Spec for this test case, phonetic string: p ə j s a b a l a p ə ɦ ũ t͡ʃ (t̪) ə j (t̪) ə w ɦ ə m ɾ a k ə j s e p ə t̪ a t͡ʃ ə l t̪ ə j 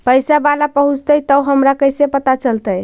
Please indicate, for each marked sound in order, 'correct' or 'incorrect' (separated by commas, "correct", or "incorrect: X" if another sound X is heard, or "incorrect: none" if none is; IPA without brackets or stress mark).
correct, correct